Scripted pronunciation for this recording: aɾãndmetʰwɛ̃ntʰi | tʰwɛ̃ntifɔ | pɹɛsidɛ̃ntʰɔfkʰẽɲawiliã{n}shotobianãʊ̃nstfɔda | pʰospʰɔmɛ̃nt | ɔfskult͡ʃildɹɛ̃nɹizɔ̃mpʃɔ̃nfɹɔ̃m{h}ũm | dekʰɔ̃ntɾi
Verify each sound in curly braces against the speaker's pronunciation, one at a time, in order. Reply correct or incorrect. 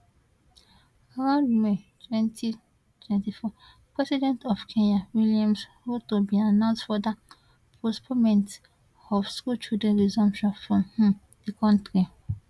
incorrect, correct

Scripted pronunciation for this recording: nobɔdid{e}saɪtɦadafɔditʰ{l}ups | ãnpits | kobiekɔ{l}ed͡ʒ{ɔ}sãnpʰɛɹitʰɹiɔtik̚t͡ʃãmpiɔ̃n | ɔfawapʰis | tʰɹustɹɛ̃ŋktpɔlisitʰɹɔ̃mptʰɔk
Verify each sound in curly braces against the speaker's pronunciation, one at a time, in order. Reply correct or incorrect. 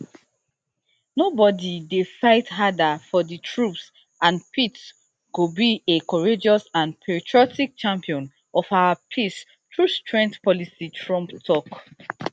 correct, incorrect, incorrect, correct

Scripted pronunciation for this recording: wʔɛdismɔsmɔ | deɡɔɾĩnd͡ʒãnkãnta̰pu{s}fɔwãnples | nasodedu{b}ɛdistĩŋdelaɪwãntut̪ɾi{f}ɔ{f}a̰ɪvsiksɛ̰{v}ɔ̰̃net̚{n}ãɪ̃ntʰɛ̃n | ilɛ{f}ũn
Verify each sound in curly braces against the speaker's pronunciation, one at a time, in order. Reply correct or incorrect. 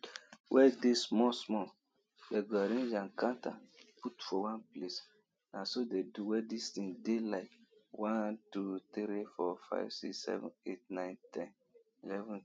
incorrect, incorrect, correct, correct, correct, correct, incorrect

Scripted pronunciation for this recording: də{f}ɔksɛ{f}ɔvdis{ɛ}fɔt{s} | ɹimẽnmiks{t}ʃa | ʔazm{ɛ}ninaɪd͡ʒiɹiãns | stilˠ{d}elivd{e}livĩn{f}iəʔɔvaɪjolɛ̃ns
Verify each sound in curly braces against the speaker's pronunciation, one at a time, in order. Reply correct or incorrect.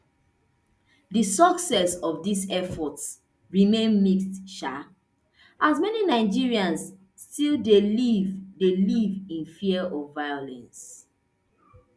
incorrect, incorrect, correct, correct, correct, correct, correct, correct, correct

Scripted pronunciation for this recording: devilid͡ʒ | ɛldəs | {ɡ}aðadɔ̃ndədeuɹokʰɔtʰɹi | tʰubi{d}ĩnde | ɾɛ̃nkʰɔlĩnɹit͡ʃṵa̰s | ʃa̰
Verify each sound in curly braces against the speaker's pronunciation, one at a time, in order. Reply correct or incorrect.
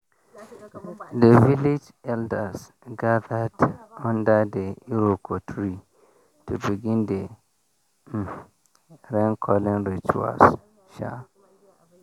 correct, incorrect

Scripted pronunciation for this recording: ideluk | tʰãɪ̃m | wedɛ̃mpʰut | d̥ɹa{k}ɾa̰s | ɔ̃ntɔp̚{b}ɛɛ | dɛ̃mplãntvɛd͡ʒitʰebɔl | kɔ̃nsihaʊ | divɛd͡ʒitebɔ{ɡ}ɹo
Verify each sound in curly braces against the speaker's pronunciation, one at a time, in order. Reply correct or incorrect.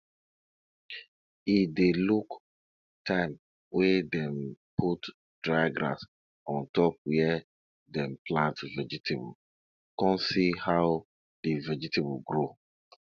incorrect, incorrect, correct

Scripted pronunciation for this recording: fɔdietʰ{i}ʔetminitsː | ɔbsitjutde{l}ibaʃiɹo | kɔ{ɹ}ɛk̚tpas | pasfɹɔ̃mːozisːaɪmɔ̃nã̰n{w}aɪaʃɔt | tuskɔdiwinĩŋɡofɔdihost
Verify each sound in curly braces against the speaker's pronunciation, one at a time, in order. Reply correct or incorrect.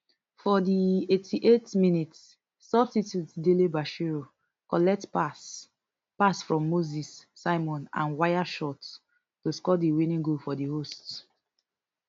correct, correct, incorrect, correct

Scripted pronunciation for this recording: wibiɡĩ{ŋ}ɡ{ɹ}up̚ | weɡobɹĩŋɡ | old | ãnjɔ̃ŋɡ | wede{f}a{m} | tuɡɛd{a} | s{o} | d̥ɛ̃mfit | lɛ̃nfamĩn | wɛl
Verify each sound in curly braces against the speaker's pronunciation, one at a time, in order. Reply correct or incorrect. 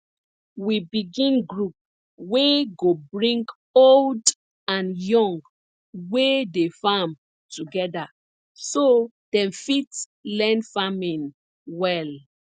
incorrect, correct, correct, correct, correct, correct

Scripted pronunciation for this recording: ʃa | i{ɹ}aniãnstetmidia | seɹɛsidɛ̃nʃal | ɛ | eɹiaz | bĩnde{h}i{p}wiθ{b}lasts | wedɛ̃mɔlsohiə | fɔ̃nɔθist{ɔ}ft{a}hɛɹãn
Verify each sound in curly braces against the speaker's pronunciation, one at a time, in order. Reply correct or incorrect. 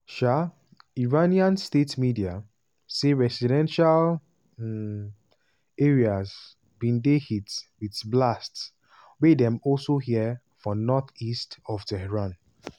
correct, correct, incorrect, correct, correct, incorrect

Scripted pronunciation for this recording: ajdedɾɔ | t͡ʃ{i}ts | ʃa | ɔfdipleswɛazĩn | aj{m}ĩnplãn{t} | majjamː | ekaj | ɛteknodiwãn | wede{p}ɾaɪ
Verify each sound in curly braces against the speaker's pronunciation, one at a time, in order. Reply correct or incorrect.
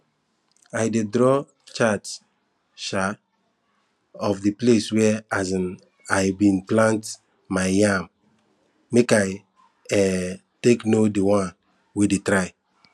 incorrect, incorrect, correct, incorrect

